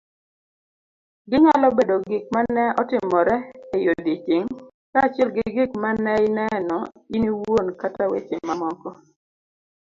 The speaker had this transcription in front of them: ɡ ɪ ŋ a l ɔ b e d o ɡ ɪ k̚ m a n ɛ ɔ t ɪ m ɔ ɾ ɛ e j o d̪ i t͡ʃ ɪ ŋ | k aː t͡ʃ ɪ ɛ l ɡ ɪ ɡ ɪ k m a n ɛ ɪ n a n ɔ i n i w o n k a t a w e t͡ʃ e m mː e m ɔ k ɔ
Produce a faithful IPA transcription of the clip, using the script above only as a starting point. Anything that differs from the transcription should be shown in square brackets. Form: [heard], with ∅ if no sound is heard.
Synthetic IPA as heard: ɡ ɪ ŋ a l ɔ b e d o ɡ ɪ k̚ m a n ɛ ɔ t ɪ m ɔ ɾ ɛ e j o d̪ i t͡ʃ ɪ ŋ | k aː t͡ʃ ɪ ɛ l ɡ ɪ ɡ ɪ k m a n ɛ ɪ n [ɛ] n ɔ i n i w o n k a t a w e t͡ʃ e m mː [a] m ɔ k ɔ